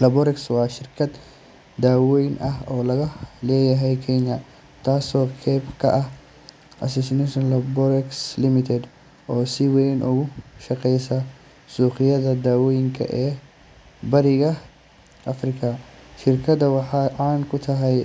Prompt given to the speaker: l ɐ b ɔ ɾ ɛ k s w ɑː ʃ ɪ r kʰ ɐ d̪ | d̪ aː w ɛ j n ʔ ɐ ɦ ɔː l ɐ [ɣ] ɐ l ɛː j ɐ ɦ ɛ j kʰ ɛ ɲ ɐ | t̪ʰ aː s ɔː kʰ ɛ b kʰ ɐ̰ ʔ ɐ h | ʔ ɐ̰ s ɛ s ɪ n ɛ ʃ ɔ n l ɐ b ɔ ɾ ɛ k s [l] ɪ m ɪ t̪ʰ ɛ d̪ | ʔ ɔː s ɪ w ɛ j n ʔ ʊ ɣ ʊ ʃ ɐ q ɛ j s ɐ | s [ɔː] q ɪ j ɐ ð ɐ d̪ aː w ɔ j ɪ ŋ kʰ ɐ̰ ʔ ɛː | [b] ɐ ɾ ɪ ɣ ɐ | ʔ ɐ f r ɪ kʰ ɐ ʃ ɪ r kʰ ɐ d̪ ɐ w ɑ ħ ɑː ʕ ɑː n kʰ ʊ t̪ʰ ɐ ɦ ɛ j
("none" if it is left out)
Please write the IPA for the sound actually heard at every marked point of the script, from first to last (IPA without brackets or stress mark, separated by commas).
ɣ, l, uː, b